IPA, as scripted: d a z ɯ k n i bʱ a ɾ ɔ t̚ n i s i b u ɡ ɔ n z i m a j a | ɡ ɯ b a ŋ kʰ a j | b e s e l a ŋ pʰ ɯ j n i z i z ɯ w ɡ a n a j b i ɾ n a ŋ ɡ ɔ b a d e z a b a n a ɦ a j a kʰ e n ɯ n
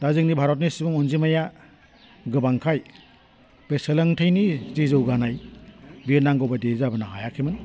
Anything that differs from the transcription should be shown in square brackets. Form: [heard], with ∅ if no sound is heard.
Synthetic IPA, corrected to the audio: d a z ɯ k n i bʱ a ɾ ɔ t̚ n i s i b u [ŋ] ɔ n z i m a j a | ɡ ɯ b a ŋ kʰ a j | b e s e l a ŋ [tʰ] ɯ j n i z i z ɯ w ɡ a n a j b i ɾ n a ŋ ɡ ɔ b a d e z a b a n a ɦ a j a kʰ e [m] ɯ n